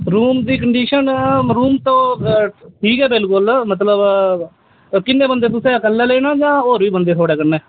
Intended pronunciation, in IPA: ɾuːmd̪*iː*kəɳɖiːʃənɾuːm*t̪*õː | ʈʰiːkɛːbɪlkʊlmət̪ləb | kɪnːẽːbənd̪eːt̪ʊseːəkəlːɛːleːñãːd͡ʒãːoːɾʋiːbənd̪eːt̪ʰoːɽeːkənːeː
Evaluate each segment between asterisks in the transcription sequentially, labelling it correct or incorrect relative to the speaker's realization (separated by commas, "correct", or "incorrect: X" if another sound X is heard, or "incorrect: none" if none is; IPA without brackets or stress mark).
correct, correct